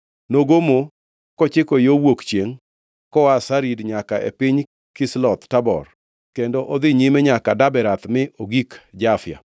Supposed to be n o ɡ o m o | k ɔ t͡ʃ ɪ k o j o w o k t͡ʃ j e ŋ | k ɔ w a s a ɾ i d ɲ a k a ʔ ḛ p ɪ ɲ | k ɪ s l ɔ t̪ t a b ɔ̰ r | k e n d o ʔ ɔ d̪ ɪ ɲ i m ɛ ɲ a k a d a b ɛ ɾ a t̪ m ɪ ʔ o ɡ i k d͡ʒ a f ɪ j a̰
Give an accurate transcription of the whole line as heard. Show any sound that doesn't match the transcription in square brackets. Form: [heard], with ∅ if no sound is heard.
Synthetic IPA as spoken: n o ɡ o m o | k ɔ t͡ʃ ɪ k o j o w o k t͡ʃ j e ŋ | k ɔ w a s a ɾ i d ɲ a k a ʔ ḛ p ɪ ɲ | k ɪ s l ɔ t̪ t a b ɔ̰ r | k e n d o ʔ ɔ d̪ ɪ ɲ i m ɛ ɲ a k a d a b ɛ ɾ a t̪ m ɪ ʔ o ɡ i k d͡ʒ a f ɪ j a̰